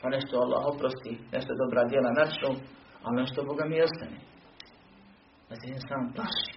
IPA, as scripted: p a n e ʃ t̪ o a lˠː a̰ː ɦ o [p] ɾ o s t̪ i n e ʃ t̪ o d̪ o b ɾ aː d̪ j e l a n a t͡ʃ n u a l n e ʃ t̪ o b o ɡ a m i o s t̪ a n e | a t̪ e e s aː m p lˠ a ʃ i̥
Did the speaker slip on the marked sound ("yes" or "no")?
no